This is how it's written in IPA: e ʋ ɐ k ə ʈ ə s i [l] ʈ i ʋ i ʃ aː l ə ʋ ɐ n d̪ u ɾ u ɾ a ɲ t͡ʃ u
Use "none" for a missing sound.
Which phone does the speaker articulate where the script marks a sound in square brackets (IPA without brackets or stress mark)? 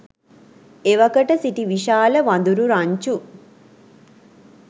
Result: none